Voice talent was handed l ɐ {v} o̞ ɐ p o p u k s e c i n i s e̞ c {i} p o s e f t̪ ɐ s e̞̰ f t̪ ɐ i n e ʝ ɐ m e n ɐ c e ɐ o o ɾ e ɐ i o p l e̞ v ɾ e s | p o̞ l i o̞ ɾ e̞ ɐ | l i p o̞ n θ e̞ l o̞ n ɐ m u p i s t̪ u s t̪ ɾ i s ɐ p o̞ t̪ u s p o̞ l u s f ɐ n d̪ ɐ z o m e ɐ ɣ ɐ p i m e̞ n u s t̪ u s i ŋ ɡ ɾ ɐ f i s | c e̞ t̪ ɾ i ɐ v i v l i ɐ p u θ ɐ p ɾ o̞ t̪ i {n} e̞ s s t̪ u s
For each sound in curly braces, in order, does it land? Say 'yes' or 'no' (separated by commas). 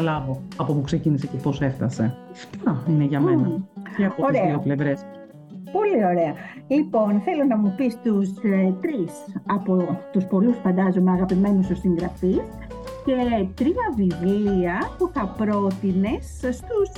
yes, no, yes